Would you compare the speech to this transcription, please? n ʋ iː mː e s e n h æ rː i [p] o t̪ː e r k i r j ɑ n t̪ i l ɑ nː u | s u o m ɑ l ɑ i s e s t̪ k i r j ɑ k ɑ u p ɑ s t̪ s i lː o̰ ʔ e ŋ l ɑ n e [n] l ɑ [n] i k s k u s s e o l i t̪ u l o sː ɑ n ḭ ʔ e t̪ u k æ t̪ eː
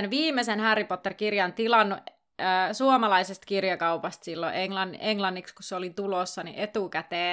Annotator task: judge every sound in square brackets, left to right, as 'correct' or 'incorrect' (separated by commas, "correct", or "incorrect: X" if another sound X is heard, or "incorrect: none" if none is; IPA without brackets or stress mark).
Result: correct, incorrect: ŋ, incorrect: nː